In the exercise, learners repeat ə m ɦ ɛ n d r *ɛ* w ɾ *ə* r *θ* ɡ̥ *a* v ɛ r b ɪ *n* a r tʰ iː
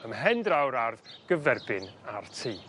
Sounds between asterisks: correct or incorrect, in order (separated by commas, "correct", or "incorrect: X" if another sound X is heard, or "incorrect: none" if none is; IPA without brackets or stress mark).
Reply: incorrect: a, incorrect: a, incorrect: ð, incorrect: ə, correct